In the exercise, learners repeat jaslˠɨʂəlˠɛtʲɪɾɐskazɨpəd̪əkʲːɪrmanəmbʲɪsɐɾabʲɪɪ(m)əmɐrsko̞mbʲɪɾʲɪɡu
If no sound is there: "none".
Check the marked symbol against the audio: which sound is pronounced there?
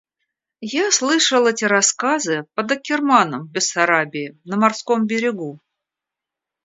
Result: n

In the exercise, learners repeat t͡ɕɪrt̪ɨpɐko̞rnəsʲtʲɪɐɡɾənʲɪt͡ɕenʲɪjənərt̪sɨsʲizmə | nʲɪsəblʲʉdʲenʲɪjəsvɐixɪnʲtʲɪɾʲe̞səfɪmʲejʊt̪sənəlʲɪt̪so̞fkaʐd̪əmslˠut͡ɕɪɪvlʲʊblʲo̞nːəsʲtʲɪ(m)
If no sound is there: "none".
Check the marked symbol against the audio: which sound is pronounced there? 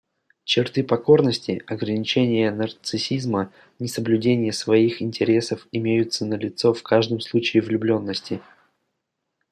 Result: none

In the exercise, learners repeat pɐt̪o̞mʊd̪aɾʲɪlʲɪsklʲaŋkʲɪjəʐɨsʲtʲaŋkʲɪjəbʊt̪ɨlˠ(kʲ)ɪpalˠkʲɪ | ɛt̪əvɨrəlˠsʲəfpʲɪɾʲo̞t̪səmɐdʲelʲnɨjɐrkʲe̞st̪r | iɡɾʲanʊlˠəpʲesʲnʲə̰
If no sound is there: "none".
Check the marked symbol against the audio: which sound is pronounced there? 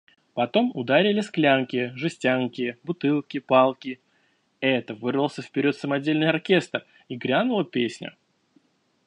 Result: kʲ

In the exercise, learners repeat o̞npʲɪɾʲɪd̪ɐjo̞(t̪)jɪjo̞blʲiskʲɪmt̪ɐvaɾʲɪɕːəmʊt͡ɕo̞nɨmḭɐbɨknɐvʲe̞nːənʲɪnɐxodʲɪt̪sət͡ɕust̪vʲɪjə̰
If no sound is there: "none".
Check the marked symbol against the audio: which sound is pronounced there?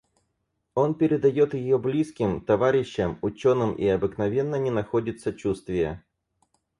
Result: t̪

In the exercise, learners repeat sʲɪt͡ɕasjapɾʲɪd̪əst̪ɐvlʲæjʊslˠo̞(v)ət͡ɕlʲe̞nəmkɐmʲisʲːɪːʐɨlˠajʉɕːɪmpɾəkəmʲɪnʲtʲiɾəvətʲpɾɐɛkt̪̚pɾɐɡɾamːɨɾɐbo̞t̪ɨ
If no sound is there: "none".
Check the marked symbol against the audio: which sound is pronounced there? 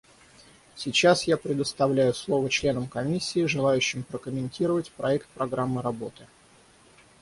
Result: v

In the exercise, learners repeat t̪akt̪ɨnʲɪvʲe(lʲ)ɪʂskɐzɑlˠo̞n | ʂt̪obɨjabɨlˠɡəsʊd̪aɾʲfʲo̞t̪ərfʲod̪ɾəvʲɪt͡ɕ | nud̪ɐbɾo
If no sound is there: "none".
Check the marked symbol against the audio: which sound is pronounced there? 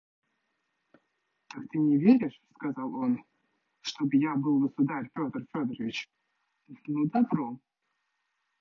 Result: ɾʲ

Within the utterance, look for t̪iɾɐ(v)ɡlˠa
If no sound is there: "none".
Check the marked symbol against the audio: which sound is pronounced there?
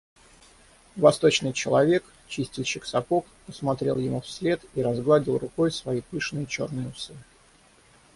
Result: z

